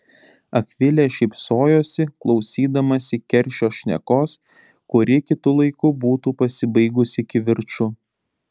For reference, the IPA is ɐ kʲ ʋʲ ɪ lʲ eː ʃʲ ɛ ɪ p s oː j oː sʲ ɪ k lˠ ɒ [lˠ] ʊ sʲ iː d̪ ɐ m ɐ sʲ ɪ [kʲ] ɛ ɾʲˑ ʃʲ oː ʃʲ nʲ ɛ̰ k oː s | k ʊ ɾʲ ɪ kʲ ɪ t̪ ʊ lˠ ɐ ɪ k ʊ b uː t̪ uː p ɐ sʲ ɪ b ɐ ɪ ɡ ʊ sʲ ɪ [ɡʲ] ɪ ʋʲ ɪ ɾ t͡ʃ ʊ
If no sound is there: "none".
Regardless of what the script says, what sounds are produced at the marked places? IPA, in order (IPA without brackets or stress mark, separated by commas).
none, kʲ, kʲ